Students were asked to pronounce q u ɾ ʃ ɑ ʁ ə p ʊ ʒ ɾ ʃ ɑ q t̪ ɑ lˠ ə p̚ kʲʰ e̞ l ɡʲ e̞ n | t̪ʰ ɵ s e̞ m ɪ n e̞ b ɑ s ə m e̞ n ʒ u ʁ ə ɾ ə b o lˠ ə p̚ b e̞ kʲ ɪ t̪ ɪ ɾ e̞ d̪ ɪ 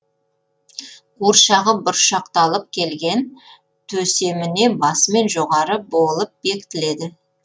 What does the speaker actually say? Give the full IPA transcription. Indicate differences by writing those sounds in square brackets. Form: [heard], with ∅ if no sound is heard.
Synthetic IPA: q u ɾ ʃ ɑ ʁ ə [b] ʊ [∅] ɾ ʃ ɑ q t̪ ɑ lˠ ə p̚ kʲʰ e̞ l ɡʲ e̞ n | t̪ʰ ɵ s e̞ m ɪ n e̞ b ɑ s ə m e̞ n ʒ [o] ʁ [ɑ] ɾ ə b o lˠ ə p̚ b e̞ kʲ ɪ t̪ ɪ [l] e̞ d̪ ɪ

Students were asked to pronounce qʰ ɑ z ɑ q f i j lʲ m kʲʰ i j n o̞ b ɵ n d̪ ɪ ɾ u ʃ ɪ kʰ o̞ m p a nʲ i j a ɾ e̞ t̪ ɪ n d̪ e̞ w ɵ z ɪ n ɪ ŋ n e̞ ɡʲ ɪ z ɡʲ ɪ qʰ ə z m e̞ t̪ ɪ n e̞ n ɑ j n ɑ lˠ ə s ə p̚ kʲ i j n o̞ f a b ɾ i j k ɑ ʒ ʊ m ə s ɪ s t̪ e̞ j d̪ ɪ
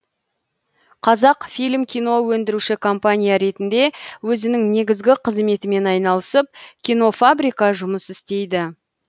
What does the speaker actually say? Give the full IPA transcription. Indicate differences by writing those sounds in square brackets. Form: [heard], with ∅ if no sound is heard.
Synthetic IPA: qʰ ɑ z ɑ q f i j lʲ m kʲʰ i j n o̞ [w] ɵ n d̪ ɪ ɾ u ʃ ɪ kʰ o̞ m p a nʲ i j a ɾ e̞ t̪ ɪ n d̪ e̞ w ɵ z ɪ n ɪ ŋ n e̞ ɡʲ ɪ z ɡʲ ɪ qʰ ə z m e̞ t̪ ɪ [m] e̞ n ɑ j n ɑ lˠ ə s ə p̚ kʲ i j n o̞ f a b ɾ i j k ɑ ʒ ʊ m ə s ɪ s t̪ e̞ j d̪ ɪ

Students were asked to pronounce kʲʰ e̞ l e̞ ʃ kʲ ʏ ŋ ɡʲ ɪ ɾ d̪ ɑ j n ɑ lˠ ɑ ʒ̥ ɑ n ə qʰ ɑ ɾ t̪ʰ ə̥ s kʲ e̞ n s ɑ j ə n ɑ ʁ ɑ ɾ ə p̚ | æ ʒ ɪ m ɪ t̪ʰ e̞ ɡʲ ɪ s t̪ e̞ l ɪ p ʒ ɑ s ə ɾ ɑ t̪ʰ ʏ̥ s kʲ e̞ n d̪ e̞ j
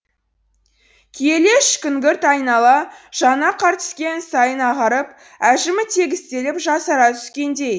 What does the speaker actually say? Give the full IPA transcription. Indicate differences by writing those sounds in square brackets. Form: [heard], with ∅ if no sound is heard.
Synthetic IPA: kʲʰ e̞ l e̞ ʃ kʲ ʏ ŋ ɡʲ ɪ ɾ [t̪] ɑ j n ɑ lˠ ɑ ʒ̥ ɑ n [ɑ] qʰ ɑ ɾ [t̪] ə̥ s kʲ e̞ n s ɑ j ə n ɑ ʁ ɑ ɾ ə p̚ | æ ʒ ɪ m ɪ t̪ʰ e̞ ɡʲ ɪ s t̪ e̞ l ɪ p ʒ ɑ s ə ɾ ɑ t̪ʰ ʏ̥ s kʲ e̞ n d̪ e̞ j

